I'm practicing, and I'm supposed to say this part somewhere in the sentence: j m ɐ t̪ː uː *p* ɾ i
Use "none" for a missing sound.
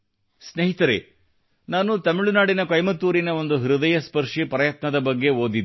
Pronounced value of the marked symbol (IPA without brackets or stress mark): none